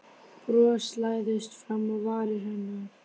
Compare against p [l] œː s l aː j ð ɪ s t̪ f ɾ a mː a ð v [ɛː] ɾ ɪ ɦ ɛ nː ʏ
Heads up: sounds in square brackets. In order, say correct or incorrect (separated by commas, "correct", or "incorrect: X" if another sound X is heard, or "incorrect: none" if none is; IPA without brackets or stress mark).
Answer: incorrect: ɾ, incorrect: aː